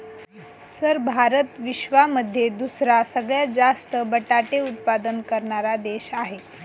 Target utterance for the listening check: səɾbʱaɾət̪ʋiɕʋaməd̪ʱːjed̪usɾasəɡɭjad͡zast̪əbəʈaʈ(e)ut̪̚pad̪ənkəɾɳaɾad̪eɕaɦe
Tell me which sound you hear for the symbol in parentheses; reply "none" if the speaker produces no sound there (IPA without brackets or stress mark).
e